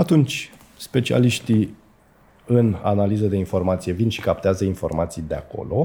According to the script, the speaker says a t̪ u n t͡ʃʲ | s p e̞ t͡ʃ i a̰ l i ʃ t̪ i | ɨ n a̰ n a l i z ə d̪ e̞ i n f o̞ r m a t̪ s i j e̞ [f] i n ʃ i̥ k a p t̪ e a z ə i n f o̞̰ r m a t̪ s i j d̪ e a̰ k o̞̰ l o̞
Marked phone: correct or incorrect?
incorrect